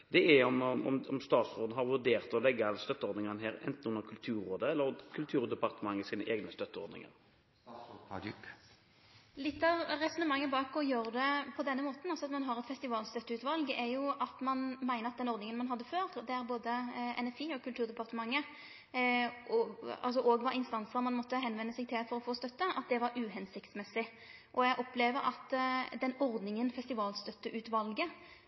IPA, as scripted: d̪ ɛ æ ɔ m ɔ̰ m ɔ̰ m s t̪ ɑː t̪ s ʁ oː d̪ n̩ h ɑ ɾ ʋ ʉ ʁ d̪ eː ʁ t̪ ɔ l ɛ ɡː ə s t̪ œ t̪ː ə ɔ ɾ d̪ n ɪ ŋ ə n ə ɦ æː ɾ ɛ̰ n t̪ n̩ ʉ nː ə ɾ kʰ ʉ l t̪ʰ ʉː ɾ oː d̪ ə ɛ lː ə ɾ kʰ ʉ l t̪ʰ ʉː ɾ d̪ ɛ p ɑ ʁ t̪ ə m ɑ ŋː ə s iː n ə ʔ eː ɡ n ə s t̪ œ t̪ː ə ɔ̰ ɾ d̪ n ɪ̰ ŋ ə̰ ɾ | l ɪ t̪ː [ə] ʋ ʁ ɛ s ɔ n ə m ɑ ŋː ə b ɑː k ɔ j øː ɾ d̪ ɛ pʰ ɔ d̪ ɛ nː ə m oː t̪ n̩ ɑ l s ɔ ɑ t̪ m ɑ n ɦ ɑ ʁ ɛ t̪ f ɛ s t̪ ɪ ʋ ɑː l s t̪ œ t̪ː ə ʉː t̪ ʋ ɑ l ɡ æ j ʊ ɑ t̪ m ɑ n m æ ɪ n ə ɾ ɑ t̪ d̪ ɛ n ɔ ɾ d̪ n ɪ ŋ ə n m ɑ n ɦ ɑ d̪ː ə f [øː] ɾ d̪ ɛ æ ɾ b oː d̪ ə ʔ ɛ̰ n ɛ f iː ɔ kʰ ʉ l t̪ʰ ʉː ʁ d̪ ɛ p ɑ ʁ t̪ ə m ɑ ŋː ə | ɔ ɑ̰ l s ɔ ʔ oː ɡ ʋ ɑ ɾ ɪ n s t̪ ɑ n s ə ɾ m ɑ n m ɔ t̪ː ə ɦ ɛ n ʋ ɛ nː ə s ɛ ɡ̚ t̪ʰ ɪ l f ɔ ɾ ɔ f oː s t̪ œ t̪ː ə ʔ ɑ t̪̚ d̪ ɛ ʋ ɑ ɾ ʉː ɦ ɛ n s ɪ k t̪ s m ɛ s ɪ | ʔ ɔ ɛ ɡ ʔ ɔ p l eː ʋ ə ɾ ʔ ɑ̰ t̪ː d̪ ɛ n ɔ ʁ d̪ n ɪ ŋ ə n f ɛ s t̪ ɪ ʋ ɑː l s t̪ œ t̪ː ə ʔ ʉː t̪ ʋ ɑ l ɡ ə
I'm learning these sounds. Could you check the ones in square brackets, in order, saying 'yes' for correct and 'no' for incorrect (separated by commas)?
no, yes